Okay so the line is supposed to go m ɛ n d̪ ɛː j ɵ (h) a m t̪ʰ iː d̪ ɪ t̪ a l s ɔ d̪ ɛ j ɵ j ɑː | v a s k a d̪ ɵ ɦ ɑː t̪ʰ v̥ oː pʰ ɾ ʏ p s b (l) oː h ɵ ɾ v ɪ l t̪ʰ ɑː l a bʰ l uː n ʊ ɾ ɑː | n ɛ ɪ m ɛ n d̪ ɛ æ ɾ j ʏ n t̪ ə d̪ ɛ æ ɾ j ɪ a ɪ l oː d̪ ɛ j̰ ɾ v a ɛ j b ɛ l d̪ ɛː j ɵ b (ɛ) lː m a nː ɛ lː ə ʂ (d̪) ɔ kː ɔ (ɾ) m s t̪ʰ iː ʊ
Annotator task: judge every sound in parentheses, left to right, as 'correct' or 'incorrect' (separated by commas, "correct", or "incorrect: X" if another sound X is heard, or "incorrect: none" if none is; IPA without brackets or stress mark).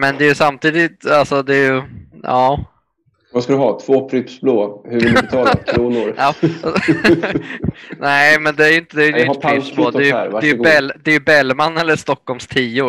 incorrect: s, correct, correct, incorrect: t̪, incorrect: l